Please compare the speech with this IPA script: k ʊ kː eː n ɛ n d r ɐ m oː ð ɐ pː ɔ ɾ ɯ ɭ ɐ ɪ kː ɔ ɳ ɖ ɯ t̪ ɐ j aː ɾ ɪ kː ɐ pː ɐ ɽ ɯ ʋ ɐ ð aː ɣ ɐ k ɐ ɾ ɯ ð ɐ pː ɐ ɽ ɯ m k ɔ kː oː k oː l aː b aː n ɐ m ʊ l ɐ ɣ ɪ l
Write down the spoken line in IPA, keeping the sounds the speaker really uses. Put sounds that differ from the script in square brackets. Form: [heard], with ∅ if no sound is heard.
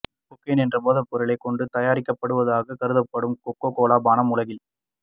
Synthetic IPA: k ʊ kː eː n ɛ n d r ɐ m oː ð ɐ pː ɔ ɾ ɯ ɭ ɐ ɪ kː ɔ ɳ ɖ ɯ t̪ ɐ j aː ɾ ɪ kː ɐ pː ɐ ɽ ɯ ʋ ɐ ð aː ɣ ɐ k ɐ ɾ ɯ ð ɐ pː ɐ ɽ ɯ m k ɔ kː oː k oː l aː b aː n ɐ m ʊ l ɐ ɣ ɪ l